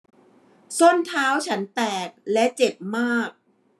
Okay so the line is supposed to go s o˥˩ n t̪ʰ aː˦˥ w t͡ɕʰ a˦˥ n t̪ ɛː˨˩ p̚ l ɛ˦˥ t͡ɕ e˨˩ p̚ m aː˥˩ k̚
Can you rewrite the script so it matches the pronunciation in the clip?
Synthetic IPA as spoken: s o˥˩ n t̪ʰ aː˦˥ w t͡ɕʰ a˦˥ n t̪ ɛː˨˩ k̚ l ɛ˦˥ t͡ɕ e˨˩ p̚ m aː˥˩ k̚